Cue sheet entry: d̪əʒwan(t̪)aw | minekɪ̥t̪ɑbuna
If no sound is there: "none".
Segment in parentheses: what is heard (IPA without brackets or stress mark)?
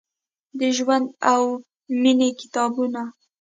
d̪